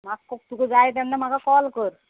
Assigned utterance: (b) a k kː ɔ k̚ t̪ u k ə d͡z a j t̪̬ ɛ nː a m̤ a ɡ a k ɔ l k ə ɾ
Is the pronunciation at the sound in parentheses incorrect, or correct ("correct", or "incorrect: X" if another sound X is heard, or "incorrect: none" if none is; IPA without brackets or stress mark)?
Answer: incorrect: m